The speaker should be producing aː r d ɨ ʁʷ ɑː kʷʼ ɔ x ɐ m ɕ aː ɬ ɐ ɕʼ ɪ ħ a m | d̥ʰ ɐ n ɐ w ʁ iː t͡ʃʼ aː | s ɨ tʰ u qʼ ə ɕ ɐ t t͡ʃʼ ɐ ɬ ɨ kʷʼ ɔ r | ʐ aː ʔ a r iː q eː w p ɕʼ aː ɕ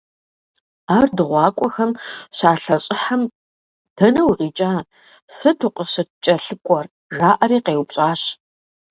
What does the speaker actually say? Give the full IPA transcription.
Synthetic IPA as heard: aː r d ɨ ʁʷ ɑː kʷʼ ɔ x ɐ m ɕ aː ɬ ɐ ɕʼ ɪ ħ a m | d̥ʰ ɐ n ɐ w ʁ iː t͡ʃʼ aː | s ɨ tʰ u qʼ ə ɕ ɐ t t͡ʃʼ ɐ ɬ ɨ kʷʼ ɔ r | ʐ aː ʔ ɐ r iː q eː w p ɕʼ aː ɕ

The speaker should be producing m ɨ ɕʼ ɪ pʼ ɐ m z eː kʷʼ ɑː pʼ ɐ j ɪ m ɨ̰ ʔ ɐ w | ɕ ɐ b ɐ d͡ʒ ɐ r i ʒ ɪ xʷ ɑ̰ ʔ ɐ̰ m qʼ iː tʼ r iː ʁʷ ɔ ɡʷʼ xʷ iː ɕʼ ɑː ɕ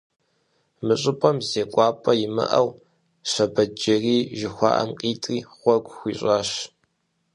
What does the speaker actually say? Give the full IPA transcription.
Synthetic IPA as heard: m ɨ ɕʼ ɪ pʼ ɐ m z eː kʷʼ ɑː pʼ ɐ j ɪ m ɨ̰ ʔ ɐ w | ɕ ɐ b ɐ d͡ʒ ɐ r iː ʒ ɪ xʷ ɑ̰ ʔ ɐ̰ m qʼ iː tʼ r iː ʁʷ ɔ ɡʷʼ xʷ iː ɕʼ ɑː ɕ

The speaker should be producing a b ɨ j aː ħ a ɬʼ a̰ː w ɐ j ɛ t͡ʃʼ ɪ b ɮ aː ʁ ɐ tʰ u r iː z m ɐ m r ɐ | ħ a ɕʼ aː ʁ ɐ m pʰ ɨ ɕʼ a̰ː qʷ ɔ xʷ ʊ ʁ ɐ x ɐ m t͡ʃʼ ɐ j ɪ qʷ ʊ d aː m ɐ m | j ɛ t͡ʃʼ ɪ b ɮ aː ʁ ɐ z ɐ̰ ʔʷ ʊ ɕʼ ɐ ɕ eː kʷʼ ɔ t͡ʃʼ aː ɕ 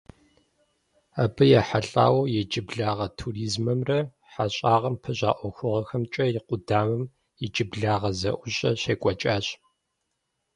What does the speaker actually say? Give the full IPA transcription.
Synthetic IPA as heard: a b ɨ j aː ħ a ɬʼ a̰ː w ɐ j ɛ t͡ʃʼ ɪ b ɮ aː ʁ ɐ tʰ u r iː z m ɐ m r ɐ | ħ a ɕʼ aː ʁ ɐ m pʰ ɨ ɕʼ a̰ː ʔʷ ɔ xʷ ʊ ʁ ɐ x ɐ m t͡ʃʼ ɐ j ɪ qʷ ʊ d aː m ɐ m | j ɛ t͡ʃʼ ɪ b ɮ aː ʁ ɐ z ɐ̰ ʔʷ ʊ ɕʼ ɐ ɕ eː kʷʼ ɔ t͡ʃʼ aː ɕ

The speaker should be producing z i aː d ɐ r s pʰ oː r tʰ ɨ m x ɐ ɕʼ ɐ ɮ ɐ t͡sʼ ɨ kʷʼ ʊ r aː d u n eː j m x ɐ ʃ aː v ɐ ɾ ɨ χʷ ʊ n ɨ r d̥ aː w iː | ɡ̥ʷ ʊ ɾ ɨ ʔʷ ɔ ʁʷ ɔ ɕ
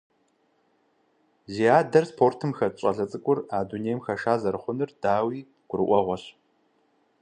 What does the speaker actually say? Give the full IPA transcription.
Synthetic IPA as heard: z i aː d ɐ r s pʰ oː r tʰ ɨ m x ɐ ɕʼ ɐ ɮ ɐ t͡sʼ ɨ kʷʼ ʊ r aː d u n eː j m x ɐ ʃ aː z ɐ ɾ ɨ χʷ ʊ n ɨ r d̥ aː w iː | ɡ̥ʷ ʊ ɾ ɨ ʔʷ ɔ ʁʷ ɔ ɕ

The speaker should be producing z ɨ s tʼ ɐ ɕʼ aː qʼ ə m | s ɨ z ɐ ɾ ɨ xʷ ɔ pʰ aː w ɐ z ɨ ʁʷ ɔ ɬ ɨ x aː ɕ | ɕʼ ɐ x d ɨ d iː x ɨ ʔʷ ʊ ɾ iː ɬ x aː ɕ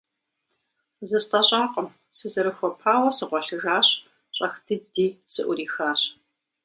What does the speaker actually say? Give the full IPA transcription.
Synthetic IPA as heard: z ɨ s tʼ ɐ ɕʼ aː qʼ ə m | s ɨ z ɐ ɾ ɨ xʷ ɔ pʰ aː w ɐ s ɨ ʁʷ ɔ ɬ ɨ ɣ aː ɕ | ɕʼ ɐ x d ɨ d iː s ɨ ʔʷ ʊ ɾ iː x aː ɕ

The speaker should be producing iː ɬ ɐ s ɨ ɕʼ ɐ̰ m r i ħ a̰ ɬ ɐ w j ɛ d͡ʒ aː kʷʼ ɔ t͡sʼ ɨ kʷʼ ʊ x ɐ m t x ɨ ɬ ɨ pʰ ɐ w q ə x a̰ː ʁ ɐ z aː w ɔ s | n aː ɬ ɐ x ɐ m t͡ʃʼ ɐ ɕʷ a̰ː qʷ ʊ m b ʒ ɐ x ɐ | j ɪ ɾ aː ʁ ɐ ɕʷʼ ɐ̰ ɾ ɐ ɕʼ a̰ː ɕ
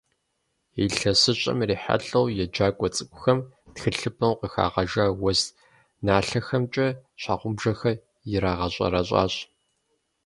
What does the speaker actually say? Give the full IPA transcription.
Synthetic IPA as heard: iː ɬ ɐ s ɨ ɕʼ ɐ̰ m r iː ħ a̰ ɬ ɐ w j ɛ d͡ʒ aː kʷʼ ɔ t͡sʼ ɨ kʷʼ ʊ x ɐ m t x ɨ ɬ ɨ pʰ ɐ w q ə x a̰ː ʁ ɐ ʒ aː w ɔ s | n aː ɬ ɐ x ɐ m t͡ʃʼ ɐ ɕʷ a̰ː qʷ ʊ m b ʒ ɐ x ɐ | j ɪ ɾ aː ʁ ɐ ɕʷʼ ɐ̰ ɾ ɐ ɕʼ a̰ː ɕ

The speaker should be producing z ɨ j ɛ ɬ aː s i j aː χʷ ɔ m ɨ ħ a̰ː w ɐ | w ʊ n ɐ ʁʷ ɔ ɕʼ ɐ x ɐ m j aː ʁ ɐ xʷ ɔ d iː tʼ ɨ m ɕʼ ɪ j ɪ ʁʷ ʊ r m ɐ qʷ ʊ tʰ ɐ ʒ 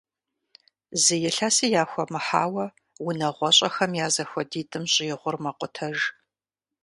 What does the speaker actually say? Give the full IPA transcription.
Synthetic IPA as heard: z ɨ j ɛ ɬ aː s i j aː xʷ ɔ m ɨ ħ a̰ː w ɐ | w ʊ n ɐ ʁʷ ɔ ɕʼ ɐ x ɐ m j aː z ɐ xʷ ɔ d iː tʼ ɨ m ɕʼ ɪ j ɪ ʁʷ ʊ r m ɐ qʷ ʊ tʰ ɐ ʒ

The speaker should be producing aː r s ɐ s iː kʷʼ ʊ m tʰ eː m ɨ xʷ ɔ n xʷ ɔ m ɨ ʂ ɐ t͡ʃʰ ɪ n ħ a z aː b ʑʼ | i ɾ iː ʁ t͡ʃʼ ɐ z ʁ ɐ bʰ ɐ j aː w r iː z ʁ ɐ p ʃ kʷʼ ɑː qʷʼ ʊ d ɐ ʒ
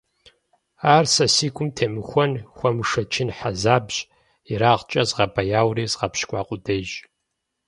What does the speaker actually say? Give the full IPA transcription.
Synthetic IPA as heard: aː r s ɐ s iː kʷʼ ʊ m tʰ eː m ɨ xʷ ɔ n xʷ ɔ m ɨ ʂ ɐ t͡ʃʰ ɪ n ħ a z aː b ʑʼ | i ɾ aː ʁ t͡ʃʼ ɐ z ʁ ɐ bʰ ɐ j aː w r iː z ʁ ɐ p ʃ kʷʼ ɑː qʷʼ ʊ d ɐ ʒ

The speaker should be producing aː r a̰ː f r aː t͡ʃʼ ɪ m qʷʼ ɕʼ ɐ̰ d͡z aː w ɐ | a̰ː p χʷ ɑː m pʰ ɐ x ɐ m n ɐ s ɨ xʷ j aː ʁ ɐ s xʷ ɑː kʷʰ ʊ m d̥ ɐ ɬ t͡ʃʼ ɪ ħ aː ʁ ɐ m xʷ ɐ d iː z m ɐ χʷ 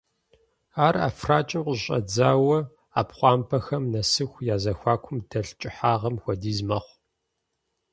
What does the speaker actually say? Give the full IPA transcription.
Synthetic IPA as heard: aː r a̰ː f r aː t͡ʃʼ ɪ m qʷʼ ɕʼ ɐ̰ d͡z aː w ɐ | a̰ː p χʷ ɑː m pʰ ɐ x ɐ m n ɐ s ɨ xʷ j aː z ɐ xʷ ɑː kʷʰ ʊ m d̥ ɐ ɬ t͡ʃʼ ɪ ħ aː ʁ ɐ m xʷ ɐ d iː z m ɐ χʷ

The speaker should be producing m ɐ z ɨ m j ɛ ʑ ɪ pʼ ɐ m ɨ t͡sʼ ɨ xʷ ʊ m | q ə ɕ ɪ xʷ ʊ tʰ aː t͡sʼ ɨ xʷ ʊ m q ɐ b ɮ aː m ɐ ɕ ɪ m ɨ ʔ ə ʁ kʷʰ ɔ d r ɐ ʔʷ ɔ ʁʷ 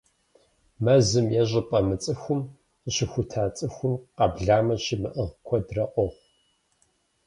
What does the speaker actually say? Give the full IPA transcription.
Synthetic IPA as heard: m ɐ z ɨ m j ɛ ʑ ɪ pʼ ɐ m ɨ t͡sʼ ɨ xʷ ʊ m | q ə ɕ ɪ xʷ ʊ tʰ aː t͡sʼ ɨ xʷ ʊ m q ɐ b ɮ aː m ɐ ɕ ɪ m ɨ ʔ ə ʁ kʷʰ ɔ d r ɐ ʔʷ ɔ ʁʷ

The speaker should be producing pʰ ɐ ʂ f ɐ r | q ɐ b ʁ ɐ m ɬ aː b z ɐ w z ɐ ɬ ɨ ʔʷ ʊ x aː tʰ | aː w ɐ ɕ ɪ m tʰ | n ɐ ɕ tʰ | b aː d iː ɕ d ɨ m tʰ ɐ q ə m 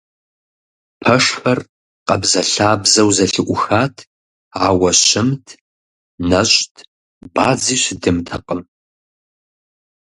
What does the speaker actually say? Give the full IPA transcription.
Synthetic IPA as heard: pʰ ɐ ʂ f ɐ r | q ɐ b z ɐ ɬ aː b z ɐ w z ɐ ɬ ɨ ʔʷ ʊ x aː tʰ | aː w ɐ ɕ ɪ m tʰ | n ɐ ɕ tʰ | b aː d͡z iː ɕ d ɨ m tʰ ɐ q ə m

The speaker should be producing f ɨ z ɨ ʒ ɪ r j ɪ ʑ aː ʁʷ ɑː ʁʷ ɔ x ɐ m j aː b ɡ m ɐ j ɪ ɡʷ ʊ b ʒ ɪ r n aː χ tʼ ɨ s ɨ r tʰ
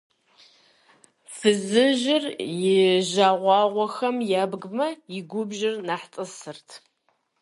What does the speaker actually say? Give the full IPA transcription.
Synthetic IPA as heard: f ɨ z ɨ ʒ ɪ r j ɪ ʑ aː ʁʷ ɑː ʁʷ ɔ x ɐ m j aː b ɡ m ɐ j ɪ ɡʷ ʊ b ʒ ɪ r n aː ħ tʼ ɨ s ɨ r tʰ

